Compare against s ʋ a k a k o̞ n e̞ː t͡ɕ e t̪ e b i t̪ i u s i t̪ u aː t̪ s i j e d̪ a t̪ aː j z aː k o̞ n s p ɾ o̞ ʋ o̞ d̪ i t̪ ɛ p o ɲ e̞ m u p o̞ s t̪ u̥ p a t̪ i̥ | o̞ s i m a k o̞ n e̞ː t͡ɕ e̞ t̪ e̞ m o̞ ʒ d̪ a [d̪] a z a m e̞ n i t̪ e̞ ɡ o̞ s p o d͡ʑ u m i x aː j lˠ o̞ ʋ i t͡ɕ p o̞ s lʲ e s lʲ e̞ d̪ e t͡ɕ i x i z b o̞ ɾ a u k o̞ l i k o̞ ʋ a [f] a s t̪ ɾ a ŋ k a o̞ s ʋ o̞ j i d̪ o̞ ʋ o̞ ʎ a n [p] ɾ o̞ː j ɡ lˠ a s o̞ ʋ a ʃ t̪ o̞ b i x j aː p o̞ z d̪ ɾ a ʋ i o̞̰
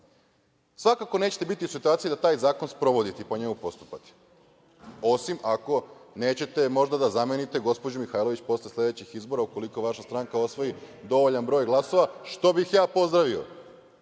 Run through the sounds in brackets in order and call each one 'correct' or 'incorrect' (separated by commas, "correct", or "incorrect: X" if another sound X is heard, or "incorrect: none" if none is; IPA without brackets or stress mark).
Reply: correct, incorrect: ʃ, incorrect: b